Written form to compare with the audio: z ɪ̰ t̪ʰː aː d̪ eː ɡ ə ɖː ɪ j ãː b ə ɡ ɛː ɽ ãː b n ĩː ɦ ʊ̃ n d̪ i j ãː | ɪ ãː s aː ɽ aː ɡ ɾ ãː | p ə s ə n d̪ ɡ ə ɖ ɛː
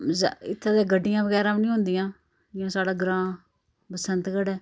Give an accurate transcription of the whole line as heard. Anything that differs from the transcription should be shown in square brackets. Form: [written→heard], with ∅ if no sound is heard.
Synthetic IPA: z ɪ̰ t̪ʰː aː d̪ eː ɡ ə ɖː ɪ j ãː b ə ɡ ɛː [ɽ→ɾ] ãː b n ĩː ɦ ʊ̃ n d̪ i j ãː | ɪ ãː s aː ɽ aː ɡ ɾ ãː | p ə s ə n [d̪→t̪] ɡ ə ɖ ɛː